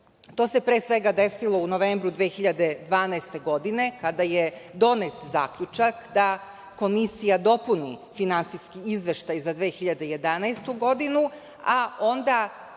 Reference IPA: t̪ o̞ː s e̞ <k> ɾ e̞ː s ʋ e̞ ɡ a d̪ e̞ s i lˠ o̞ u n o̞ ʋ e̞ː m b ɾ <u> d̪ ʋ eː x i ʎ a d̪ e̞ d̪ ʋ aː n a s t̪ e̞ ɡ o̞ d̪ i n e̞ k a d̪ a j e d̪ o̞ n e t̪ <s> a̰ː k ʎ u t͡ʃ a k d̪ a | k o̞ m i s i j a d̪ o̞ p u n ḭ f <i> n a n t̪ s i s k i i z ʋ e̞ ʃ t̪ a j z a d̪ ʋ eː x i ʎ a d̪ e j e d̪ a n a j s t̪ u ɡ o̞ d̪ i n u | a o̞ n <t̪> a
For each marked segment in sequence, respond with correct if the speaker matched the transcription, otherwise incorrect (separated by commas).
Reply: incorrect, correct, incorrect, correct, incorrect